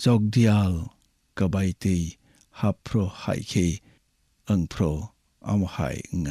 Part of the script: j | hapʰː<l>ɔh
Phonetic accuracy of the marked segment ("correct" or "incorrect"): incorrect